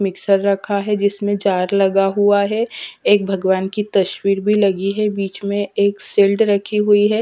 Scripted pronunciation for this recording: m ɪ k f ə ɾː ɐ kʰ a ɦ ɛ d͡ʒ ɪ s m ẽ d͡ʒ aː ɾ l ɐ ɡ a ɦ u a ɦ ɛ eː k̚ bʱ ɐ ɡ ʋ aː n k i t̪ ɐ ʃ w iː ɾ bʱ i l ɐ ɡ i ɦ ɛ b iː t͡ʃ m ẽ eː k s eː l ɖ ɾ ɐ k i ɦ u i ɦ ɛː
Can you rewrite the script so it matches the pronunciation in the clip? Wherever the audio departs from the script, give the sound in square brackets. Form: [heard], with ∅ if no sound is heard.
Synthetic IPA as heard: m ɪ k [s] ə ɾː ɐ kʰ a ɦ ɛ d͡ʒ ɪ s m ẽ d͡ʒ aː ɾ l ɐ ɡ a ɦ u a ɦ ɛ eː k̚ bʱ ɐ ɡ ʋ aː n k i t̪ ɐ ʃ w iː ɾ bʱ i l ɐ ɡ i ɦ ɛ b iː t͡ʃ m ẽ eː k s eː l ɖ ɾ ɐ [kʰ] i ɦ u i ɦ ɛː

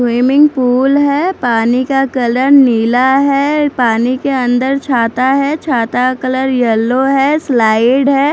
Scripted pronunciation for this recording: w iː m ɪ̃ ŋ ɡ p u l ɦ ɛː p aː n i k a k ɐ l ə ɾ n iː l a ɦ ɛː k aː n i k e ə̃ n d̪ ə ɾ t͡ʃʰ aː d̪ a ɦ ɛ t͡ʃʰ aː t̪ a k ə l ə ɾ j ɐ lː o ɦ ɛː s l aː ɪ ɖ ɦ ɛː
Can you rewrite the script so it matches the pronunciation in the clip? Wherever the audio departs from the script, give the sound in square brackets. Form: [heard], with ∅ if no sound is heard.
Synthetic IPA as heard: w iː m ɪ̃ ŋ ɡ p [uː] l ɦ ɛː p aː n i k a k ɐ l ə ɾ n iː l a ɦ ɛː [p] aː n i k e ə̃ n d̪ ə ɾ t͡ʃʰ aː [t̪] a ɦ ɛ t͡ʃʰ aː t̪ a k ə l ə ɾ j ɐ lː o ɦ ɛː s l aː ɪ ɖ ɦ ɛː

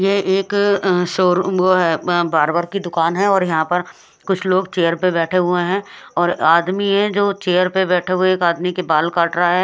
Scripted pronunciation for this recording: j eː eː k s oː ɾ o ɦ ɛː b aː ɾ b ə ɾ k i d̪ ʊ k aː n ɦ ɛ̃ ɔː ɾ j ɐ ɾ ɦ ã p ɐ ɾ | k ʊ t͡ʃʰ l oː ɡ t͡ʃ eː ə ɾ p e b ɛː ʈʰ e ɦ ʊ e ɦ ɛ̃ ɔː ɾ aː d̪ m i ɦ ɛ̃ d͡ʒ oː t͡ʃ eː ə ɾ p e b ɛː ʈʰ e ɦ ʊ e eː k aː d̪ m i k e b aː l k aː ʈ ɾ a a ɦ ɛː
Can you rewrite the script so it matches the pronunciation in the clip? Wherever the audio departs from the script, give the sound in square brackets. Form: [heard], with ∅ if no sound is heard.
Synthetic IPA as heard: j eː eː k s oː ɾ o ɦ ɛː b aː ɾ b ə ɾ k i d̪ ʊ k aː n ɦ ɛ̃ ɔː ɾ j ɐ [∅] ɦ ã p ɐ ɾ | k ʊ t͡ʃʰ l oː ɡ t͡ʃ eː ə ɾ p e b ɛː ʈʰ e ɦ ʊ e ɦ ɛ̃ ɔː ɾ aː d̪ m i ɦ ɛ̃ d͡ʒ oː t͡ʃ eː ə ɾ p e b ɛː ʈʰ e ɦ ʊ e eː k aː d̪ m i k e b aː l k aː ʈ ɾ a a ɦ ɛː

